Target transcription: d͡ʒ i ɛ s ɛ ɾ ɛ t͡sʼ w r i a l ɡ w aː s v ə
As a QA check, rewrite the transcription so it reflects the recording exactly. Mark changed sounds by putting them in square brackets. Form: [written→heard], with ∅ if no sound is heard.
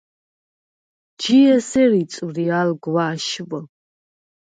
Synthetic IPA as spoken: d͡ʒ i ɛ s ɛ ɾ [ɛ→i] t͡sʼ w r i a l ɡ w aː [s→ʃ] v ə